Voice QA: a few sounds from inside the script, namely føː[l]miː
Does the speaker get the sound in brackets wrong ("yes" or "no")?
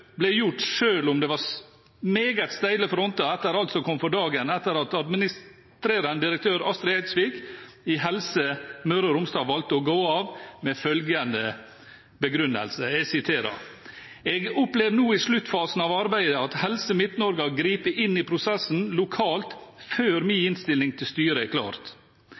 yes